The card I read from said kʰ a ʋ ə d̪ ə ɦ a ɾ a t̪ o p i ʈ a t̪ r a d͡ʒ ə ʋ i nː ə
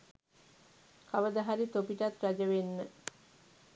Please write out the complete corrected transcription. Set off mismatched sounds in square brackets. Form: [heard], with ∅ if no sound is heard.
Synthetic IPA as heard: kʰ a ʋ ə d̪ ə ɦ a ɾ [i] t̪ o p i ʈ a t̪ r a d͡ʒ ə ʋ [e] nː ə

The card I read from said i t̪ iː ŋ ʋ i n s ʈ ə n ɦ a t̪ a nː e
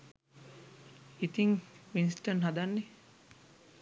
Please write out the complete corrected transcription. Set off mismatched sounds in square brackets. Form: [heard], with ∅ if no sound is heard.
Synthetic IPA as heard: i t̪ [i] ŋ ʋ i n s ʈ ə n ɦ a [d̪] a nː e

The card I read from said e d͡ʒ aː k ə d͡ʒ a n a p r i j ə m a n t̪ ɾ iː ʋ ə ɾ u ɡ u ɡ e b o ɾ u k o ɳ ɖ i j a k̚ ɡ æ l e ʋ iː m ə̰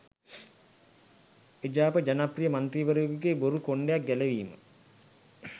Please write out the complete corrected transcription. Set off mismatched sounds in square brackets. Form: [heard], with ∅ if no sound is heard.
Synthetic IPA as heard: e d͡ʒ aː [p] ə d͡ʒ a n a p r i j ə m a n t̪ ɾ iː ʋ ə ɾ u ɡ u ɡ e b o ɾ u k o ɳ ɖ [e] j a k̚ ɡ æ l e ʋ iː m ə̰

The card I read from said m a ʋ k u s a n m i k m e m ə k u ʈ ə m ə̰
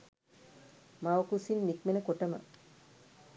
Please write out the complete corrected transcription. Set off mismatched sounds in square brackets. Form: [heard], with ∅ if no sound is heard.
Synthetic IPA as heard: m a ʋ k u s [i] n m i k m e [n] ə k [o] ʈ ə m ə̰

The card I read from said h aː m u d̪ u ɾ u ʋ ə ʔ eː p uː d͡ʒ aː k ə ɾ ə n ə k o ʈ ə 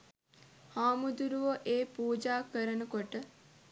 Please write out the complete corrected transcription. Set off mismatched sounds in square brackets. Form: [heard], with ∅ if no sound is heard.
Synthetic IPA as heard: h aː m u d̪ u ɾ u ʋ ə ʔ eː p uː d͡ʒ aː k ə ɾ ə n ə k o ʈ ə

